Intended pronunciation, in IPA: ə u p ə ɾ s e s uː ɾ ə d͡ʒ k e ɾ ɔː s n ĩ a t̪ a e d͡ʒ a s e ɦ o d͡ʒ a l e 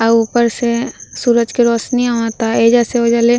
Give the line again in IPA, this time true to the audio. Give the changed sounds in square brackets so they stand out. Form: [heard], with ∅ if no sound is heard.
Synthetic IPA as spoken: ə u p ə ɾ s e s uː ɾ ə d͡ʒ k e ɾ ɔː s n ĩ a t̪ a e d͡ʒ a s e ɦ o d͡ʒ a l e